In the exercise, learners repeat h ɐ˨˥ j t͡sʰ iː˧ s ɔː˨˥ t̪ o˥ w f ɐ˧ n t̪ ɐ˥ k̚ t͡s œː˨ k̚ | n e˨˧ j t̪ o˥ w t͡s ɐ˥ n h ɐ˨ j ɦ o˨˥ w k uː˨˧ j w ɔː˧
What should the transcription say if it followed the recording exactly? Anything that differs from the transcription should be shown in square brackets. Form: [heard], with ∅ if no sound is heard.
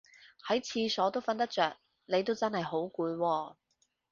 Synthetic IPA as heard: h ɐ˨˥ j t͡sʰ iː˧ s ɔː˨˥ t̪ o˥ w f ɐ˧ n t̪ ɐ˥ k̚ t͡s œː˨ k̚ | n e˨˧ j t̪ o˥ w t͡s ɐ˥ n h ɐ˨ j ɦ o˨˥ w k uː˨˧ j w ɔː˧